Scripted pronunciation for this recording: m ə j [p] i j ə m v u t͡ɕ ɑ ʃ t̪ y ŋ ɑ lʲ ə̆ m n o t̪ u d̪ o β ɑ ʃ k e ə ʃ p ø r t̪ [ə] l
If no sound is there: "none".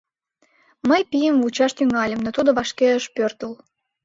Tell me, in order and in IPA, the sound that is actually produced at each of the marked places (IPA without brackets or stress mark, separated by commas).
p, ə